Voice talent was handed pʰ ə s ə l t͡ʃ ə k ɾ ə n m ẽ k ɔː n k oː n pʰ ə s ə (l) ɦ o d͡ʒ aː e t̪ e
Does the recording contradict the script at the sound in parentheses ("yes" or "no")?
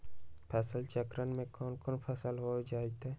no